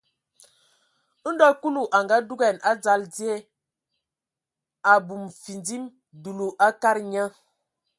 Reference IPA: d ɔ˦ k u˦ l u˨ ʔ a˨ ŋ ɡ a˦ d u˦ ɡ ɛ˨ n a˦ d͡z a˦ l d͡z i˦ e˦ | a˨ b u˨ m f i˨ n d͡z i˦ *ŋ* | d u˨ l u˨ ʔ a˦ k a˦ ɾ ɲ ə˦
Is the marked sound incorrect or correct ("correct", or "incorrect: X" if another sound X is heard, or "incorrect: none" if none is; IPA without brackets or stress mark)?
incorrect: m